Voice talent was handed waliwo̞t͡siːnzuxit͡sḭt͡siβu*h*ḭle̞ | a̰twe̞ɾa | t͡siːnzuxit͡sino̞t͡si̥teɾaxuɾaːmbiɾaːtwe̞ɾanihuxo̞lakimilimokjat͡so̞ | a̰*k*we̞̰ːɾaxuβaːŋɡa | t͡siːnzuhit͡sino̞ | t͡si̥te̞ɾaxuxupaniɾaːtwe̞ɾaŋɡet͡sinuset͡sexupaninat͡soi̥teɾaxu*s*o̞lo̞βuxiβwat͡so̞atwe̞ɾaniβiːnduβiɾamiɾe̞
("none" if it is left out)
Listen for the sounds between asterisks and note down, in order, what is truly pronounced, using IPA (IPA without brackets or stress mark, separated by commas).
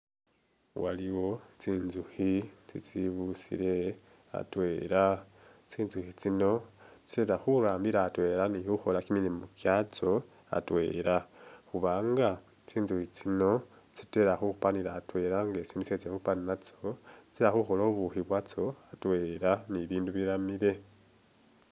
s, t, x